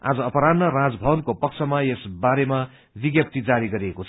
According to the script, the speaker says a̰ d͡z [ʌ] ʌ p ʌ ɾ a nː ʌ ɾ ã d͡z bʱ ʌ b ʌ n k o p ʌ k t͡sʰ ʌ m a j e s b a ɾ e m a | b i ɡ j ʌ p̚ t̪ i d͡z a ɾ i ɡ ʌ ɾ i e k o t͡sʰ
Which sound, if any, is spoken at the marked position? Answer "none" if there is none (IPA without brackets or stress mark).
ʌ